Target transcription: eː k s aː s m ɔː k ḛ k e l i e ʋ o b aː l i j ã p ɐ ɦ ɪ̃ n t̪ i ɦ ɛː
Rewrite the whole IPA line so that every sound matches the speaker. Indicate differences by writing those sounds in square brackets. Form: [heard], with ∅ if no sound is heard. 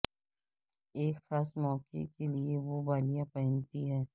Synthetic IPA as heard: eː k [x] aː s m ɔː k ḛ k e l i e ʋ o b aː l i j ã p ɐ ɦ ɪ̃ n t̪ i ɦ ɛː